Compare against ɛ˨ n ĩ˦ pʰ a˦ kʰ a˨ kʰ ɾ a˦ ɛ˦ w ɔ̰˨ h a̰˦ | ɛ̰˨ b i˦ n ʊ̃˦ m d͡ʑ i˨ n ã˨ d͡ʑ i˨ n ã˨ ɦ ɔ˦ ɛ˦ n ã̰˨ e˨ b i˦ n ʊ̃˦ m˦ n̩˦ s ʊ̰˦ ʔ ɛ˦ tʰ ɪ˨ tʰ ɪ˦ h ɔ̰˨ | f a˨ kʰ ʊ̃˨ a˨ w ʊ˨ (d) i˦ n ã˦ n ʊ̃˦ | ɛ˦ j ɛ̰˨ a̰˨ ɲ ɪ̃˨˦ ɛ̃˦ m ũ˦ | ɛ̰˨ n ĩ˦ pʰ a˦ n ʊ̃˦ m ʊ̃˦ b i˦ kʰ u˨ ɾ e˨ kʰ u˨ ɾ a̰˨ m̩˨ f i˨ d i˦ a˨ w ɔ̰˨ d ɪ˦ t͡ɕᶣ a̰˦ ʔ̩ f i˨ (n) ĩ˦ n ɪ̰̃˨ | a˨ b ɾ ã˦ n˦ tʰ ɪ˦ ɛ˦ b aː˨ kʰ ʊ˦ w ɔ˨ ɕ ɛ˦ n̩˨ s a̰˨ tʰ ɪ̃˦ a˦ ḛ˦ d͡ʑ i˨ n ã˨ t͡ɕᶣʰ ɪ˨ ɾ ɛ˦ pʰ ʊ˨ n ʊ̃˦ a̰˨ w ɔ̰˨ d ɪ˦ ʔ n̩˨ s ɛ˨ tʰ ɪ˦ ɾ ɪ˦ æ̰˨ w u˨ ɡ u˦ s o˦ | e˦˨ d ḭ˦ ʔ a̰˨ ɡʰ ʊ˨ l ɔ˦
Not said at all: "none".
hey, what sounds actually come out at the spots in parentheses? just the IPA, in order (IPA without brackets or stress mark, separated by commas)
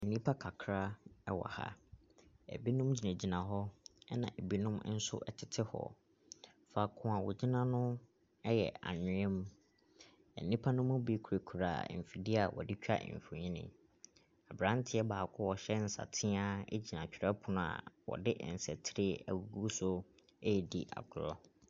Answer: d͡ʑ, ɲ